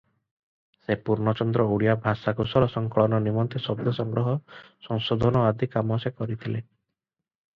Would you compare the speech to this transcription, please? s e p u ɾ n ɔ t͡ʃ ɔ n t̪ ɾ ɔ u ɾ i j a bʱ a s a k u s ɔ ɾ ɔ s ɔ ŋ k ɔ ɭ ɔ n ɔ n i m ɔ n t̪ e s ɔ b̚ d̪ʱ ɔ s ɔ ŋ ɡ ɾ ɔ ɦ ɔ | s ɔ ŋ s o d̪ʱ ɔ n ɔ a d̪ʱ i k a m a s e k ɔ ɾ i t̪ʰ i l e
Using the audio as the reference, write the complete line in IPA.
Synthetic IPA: s e p u ɾ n ɔ t͡ʃ ɔ n d̪ ɾ ɔ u ɽ i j a bʱ a s a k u s ɔ ɾ ɔ s ɔ ŋ k ɔ ɭ ɔ n ɔ n i m ɔ n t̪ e s ɔ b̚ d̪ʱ ɔ s ɔ ŋ ɡ ɾ ɔ ɦ ɔ | s ɔ ŋ s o d̪ʱ ɔ n ɔ a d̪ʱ i k a m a s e k ɔ ɾ i t̪ʰ i l e